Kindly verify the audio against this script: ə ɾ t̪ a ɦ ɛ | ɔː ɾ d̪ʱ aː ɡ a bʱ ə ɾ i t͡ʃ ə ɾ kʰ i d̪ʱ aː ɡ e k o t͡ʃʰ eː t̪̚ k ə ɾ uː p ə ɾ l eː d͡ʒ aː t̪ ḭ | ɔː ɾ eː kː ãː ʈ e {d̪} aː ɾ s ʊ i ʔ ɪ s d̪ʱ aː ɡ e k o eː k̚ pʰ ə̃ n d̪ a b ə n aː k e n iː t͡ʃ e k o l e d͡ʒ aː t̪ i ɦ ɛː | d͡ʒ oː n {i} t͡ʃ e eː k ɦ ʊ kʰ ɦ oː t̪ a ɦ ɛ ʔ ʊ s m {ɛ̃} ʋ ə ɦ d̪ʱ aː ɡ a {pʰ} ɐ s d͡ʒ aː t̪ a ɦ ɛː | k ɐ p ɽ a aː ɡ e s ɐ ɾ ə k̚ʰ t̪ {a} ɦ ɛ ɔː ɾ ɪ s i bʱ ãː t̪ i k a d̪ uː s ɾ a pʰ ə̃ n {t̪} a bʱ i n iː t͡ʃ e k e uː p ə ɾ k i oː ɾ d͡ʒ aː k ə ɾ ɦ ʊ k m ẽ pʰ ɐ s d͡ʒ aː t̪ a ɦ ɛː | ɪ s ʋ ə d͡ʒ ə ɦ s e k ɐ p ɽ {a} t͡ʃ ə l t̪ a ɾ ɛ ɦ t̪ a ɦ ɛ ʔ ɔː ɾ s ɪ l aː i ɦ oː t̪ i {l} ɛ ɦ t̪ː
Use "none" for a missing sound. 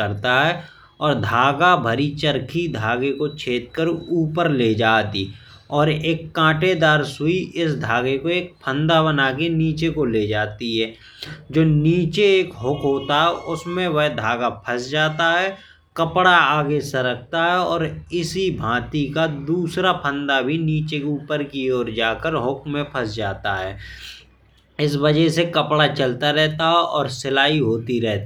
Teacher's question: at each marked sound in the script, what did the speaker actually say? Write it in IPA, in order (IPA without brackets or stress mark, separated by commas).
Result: d̪, iː, ẽ, pʰ, a, d̪, a, ɾ